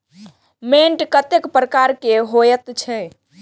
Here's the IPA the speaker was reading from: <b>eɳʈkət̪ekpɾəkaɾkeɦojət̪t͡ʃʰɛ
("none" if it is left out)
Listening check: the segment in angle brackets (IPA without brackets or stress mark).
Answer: m